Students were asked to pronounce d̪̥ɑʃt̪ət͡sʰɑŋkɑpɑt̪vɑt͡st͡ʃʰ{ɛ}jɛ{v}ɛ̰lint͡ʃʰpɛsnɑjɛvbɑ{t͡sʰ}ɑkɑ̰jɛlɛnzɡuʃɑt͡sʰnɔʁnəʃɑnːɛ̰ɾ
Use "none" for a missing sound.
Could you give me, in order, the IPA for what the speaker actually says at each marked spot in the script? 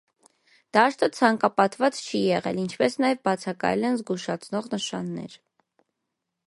i, ʁ, t͡sʰ

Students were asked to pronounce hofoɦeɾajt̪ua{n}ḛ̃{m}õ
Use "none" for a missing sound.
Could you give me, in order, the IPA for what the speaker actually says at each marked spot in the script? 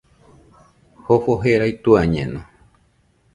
ɲ, n

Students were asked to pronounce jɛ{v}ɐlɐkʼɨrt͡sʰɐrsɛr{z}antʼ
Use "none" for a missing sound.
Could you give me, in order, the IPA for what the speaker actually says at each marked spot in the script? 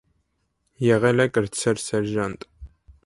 ʁ, ʒ

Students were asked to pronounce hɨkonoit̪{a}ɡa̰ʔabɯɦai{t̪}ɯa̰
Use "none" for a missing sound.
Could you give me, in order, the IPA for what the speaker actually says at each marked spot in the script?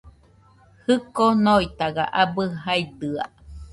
a, d̪

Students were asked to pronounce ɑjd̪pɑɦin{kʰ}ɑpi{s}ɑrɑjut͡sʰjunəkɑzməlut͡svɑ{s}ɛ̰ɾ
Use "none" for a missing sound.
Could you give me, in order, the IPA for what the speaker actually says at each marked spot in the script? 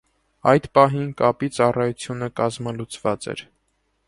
k, t͡s, t͡s

